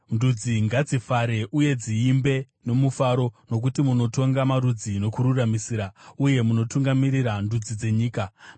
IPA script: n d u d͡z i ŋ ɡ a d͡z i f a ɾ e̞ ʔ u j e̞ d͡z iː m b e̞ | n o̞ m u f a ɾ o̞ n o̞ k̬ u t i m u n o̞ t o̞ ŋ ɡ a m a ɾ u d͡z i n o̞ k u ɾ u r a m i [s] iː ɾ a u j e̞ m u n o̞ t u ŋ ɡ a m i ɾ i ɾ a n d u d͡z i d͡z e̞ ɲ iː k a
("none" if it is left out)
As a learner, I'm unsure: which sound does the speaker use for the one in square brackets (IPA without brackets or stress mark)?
s